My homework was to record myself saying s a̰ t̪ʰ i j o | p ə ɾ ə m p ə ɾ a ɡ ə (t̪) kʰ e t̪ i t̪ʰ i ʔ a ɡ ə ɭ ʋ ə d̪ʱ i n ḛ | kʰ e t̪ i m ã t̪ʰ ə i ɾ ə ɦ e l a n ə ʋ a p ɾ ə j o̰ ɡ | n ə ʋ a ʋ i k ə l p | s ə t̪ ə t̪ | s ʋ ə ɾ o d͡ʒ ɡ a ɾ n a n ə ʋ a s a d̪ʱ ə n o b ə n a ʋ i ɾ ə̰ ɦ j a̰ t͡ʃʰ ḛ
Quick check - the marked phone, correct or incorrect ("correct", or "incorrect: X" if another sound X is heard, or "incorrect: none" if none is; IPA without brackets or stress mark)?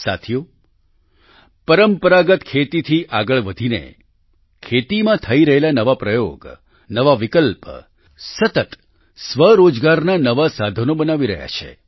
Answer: correct